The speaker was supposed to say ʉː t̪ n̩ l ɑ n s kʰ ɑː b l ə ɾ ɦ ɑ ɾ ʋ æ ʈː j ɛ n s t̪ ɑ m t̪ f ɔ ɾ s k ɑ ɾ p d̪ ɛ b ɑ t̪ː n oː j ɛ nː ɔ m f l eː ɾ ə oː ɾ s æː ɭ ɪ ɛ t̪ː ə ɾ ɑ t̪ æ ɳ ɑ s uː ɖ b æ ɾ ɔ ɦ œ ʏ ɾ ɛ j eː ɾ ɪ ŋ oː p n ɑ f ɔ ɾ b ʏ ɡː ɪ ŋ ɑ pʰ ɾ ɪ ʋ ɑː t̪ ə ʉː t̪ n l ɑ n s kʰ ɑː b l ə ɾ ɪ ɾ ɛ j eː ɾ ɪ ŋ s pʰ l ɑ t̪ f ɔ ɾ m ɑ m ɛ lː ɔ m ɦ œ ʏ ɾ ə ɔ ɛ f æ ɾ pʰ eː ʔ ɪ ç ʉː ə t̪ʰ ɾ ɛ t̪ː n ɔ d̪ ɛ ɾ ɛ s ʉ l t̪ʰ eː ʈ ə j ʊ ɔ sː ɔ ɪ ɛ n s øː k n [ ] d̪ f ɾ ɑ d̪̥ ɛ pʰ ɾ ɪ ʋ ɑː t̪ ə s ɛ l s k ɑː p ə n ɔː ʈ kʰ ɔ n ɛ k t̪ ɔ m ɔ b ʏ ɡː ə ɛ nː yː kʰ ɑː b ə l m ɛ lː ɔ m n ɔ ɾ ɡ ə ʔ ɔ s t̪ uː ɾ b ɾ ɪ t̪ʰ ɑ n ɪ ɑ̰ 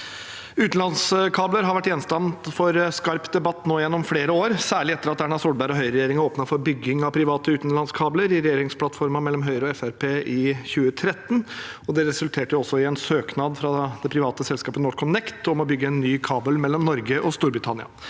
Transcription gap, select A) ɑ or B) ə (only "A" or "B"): A